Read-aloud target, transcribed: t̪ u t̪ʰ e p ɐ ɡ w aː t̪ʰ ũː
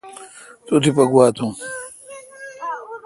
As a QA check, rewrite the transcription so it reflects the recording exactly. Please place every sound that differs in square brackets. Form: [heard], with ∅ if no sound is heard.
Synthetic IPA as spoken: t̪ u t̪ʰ [i] p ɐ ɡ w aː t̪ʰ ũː